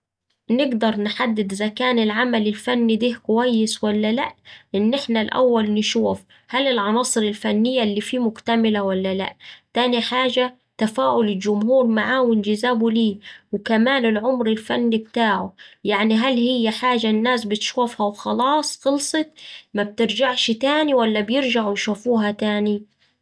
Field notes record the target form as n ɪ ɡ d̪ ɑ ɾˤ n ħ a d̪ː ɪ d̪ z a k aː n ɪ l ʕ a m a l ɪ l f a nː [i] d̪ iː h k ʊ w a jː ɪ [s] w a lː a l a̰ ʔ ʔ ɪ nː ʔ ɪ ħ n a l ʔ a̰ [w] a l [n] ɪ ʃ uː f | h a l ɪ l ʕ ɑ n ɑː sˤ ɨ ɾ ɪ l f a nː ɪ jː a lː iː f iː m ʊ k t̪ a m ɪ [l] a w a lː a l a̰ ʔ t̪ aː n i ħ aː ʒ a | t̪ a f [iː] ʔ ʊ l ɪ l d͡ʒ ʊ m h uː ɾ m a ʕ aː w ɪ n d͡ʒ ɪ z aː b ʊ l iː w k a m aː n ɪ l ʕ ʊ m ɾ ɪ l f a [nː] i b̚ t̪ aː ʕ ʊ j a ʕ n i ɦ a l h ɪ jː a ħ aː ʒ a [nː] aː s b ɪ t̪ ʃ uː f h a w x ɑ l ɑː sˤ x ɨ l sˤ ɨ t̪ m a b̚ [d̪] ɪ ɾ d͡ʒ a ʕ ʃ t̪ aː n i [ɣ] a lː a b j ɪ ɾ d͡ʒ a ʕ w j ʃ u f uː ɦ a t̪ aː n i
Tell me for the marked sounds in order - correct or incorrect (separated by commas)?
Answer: correct, correct, incorrect, correct, correct, incorrect, correct, correct, incorrect, incorrect